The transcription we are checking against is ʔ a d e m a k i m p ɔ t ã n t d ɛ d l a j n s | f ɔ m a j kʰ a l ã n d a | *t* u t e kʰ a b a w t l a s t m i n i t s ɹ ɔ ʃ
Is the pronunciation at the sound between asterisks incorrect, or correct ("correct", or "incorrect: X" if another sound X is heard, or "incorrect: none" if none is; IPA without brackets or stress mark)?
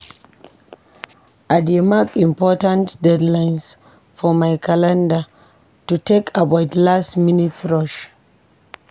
correct